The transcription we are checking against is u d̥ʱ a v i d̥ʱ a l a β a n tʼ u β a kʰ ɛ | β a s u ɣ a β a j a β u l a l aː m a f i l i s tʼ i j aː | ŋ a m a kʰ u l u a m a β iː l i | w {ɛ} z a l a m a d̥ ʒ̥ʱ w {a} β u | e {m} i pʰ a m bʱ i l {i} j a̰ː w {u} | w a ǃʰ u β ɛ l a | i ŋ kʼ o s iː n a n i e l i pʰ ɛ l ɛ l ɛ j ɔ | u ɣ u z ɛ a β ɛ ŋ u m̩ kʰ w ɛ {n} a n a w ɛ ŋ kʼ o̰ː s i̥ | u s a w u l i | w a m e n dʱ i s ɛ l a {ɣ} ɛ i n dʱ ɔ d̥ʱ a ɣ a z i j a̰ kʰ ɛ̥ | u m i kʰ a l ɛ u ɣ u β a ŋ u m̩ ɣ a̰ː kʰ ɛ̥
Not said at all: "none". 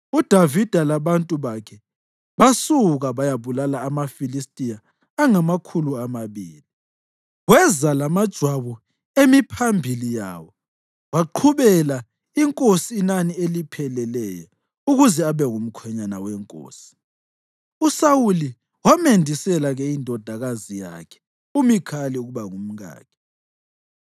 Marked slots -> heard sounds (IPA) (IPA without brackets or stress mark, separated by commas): ɛ, a, m, i, ɔ, ɲ, ɣ